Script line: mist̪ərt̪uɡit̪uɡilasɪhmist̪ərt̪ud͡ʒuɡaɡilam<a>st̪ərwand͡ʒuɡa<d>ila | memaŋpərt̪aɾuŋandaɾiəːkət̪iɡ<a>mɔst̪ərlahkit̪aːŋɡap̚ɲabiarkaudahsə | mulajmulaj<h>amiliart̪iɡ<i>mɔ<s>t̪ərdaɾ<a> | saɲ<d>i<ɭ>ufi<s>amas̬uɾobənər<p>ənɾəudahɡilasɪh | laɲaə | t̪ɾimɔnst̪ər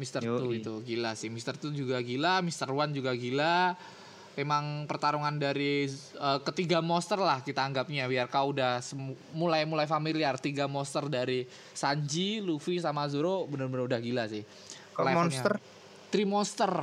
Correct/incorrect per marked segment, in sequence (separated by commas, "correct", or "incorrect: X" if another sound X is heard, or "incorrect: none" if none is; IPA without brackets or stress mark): incorrect: i, incorrect: ɡ, correct, incorrect: f, incorrect: a, correct, incorrect: i, incorrect: d͡ʒ, incorrect: l, correct, incorrect: b